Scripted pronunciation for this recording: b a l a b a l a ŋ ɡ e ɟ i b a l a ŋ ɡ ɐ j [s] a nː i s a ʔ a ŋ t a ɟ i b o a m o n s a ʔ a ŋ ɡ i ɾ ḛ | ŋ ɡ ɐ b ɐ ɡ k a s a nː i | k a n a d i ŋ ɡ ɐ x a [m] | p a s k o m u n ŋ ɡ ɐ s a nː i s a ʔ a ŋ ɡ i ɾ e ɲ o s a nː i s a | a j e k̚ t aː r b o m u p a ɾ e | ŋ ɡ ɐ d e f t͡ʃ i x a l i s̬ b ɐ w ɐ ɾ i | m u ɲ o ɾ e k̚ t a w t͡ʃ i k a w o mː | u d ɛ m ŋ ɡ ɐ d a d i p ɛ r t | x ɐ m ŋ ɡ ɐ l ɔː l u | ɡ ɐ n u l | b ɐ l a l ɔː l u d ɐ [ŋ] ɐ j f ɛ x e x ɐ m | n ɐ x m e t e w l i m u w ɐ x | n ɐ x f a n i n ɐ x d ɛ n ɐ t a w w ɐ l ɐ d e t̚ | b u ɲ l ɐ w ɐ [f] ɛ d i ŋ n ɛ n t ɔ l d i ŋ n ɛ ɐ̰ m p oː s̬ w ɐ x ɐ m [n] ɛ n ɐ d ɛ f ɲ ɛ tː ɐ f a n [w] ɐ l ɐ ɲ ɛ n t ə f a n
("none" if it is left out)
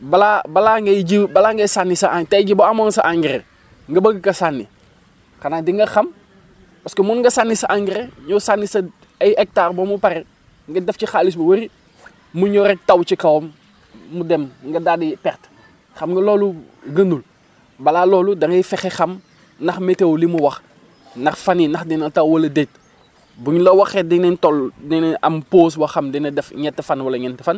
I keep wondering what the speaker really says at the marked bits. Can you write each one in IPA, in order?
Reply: s, m, ŋ, x, d, w

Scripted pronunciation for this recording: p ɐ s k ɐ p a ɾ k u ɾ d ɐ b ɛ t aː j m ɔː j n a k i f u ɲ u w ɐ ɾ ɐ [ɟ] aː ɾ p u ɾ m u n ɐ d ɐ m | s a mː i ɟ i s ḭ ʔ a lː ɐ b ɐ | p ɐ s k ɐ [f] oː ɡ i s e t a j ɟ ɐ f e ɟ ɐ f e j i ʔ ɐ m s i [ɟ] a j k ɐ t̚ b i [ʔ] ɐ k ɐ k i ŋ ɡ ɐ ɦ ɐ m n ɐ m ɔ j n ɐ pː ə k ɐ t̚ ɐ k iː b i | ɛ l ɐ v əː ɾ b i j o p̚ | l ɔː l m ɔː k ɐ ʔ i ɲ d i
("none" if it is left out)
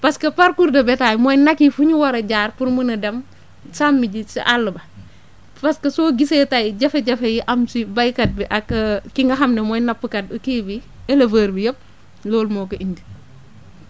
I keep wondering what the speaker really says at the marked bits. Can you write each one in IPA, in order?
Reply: ɟ, s, b, ʔ

